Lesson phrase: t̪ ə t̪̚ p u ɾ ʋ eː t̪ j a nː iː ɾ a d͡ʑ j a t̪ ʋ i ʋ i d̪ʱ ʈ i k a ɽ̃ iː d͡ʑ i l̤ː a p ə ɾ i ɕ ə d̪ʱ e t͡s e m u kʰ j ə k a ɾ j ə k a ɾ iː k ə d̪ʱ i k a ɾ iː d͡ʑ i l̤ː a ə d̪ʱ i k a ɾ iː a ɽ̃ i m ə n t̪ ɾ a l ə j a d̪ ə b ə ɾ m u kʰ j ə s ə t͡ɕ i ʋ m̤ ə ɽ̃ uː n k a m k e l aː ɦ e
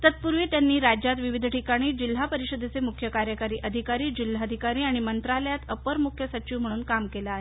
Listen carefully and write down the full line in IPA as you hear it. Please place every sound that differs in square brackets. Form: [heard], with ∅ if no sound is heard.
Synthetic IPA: t̪ ə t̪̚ p u ɾ ʋ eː t̪ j a nː iː ɾ a d͡ʑ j a t̪ ʋ i ʋ i d̪ʱ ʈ i k a ɽ̃ iː d͡ʑ i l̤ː a p ə ɾ i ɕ ə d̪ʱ e t͡s e m u kʰ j ə k a ɾ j ə k a ɾ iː [ʔ] ə d̪ʱ i k a ɾ iː d͡ʑ i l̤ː a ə d̪ʱ i k a ɾ iː a ɽ̃ i m ə n t̪ ɾ a l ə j a [t̪] ə [p] ə ɾ m u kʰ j ə s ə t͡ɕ i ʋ m̤ ə ɽ̃ uː n k a m k e l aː ɦ e